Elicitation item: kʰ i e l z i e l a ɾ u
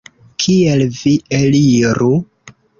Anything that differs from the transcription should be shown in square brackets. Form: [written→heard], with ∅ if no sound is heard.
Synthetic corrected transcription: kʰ i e l [z→v] i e l [a→i] ɾ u

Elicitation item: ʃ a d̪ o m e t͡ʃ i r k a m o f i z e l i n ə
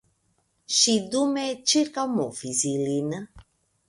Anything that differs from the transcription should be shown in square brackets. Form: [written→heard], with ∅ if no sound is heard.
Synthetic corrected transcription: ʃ [a→i] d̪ [o→u] m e t͡ʃ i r k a m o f i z [e→i] l i n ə

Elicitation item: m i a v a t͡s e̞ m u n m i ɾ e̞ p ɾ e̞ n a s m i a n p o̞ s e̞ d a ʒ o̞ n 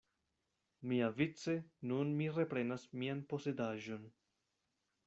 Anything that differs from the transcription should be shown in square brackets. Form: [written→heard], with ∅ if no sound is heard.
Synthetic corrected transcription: m i a v [a→i] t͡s e̞ [m→n] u n m i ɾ e̞ p ɾ e̞ n a s m i a n p o̞ s e̞ d a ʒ o̞ n

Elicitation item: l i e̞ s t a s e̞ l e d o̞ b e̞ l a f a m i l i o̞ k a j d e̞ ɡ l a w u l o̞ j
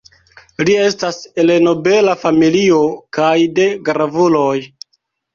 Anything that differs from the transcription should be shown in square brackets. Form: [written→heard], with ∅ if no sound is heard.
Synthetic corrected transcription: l i e̞ s t a s e̞ l e [d→n] o̞ b e̞ l a f a m i l i o̞ k a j d e̞ ɡ [l→ɾ] a [w→v] u l o̞ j

